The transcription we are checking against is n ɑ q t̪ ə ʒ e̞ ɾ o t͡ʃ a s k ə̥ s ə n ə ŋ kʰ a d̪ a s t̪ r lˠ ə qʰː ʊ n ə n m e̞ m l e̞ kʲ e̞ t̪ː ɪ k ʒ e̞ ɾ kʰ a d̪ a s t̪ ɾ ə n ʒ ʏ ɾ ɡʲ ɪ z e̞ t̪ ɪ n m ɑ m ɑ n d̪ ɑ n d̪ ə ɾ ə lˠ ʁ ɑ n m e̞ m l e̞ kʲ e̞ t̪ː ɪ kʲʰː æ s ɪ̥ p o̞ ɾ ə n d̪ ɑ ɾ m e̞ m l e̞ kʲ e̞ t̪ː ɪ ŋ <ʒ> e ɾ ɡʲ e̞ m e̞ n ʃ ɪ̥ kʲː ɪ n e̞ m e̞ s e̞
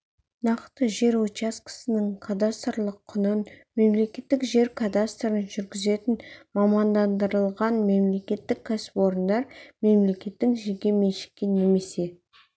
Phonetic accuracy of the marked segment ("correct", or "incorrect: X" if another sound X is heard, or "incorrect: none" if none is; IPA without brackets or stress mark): correct